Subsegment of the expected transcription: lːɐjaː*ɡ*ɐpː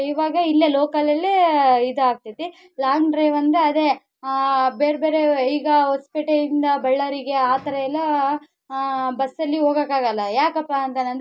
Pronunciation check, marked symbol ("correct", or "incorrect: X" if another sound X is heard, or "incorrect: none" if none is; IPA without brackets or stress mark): incorrect: k